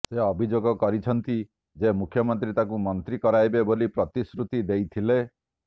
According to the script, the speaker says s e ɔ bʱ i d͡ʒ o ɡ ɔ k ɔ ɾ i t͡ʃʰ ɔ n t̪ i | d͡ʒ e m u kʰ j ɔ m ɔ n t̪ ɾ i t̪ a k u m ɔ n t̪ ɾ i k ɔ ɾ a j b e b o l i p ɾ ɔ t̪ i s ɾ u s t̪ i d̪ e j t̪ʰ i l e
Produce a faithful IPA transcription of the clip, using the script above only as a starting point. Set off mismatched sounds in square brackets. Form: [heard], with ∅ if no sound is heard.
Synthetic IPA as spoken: s e ɔ bʱ i d͡ʒ o ɡ ɔ k ɔ ɾ i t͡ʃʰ ɔ n t̪ i | d͡ʒ e m u kʰ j ɔ m ɔ n t̪ ɾ i t̪ a k u m ɔ n t̪ ɾ i k ɔ ɾ a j b e b o l i p ɾ ɔ t̪ i s ɾ u [∅] t̪ i d̪ e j t̪ʰ i l e